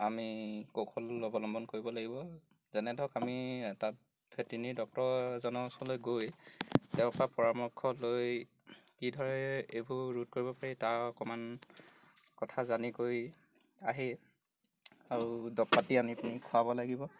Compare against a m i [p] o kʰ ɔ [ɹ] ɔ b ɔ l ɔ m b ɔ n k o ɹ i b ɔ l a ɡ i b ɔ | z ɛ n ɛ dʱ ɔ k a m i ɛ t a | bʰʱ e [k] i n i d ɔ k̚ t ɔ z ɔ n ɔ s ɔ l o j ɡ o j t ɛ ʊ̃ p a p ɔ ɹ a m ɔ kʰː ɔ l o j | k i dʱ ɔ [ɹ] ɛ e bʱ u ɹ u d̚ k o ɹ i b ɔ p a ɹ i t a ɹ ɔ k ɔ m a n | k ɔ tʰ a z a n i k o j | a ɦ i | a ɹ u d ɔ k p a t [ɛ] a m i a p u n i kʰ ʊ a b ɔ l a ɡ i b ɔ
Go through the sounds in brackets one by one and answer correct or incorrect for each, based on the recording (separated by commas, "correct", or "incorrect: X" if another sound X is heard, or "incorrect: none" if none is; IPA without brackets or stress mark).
incorrect: k, incorrect: l, incorrect: t, correct, incorrect: i